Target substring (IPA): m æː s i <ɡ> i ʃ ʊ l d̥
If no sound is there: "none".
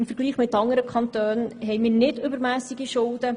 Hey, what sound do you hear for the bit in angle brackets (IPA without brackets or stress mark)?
ɡ